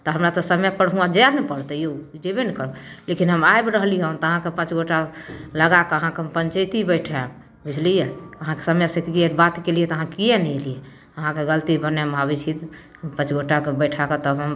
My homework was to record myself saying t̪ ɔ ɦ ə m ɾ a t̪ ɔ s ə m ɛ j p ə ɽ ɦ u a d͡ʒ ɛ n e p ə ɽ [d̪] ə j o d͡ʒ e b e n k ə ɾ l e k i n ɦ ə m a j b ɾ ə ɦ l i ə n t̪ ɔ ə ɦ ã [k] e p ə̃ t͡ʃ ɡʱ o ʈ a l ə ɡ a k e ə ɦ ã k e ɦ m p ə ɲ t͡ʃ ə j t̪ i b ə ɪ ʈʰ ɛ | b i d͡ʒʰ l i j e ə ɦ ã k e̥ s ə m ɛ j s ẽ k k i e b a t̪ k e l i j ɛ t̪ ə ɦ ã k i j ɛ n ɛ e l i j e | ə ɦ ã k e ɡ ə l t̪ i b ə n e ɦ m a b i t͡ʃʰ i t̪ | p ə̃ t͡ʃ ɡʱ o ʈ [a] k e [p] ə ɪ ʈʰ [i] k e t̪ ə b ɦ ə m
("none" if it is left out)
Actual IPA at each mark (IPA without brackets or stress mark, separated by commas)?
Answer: t̪, k, a, b, a